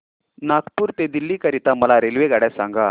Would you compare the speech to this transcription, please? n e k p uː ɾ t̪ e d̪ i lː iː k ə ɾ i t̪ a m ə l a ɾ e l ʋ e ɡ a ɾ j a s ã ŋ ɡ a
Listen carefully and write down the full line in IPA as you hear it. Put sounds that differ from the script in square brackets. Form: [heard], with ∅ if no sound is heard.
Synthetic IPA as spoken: n [a] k p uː ɾ t̪ e d̪ i lː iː k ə ɾ i t̪ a m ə l a ɾ e l ʋ e ɡ a [ɽ] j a s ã ŋ ɡ a